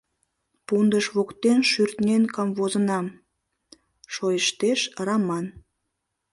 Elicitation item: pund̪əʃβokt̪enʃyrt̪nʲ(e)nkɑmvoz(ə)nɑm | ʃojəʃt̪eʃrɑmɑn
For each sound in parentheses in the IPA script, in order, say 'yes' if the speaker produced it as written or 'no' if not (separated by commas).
yes, yes